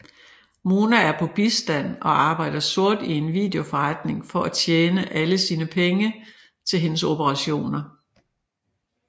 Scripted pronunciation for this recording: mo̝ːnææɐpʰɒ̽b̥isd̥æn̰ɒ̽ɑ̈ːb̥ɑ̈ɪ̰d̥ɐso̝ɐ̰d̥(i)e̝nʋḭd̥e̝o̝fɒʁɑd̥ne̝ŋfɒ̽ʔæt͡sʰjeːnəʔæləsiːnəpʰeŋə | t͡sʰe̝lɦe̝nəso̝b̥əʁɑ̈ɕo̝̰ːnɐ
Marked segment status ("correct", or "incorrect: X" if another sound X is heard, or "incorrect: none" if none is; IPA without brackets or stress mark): correct